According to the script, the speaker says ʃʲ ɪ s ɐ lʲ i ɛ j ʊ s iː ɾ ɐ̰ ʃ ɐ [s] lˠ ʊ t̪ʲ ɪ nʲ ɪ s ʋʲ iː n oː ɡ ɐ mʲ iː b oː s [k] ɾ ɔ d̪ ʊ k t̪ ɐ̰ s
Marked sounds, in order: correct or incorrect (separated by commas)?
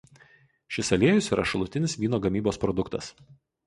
incorrect, incorrect